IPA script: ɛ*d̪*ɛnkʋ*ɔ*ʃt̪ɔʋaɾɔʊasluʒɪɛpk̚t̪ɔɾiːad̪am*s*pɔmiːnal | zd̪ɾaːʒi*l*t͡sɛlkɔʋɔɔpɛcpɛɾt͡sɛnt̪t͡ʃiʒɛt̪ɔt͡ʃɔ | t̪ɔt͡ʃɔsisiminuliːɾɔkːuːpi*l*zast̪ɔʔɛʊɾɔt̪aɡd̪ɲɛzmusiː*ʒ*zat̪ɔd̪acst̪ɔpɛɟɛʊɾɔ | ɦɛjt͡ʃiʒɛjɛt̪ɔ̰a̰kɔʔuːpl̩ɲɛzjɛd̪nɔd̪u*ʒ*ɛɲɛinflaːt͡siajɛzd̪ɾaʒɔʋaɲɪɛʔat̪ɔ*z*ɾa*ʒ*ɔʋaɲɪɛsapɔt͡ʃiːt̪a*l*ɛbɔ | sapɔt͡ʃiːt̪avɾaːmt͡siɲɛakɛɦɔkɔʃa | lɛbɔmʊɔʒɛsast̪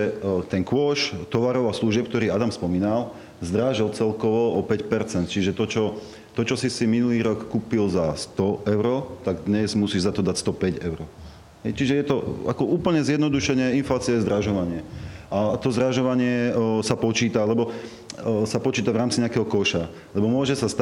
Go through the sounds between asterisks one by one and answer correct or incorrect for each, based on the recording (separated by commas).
incorrect, correct, correct, correct, correct, correct, incorrect, correct, correct, correct